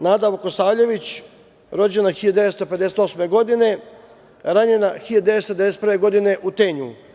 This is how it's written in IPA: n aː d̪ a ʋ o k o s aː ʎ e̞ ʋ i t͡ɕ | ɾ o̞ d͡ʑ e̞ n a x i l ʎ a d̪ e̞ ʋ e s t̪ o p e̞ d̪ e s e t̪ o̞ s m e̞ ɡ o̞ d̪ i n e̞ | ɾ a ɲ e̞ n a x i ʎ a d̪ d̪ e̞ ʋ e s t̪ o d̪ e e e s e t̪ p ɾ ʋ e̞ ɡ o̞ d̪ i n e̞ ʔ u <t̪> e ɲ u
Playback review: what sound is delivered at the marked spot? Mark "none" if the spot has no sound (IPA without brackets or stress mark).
t̪